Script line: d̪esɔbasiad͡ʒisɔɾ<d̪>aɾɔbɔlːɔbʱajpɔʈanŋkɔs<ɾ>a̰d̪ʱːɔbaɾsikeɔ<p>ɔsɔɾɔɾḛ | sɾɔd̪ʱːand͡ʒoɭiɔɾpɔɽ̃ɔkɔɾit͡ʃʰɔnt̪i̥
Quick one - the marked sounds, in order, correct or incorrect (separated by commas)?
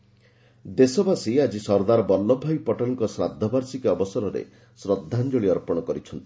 correct, correct, incorrect